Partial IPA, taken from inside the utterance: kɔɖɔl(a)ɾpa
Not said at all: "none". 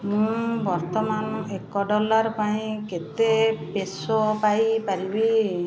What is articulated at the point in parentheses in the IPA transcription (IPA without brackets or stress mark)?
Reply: a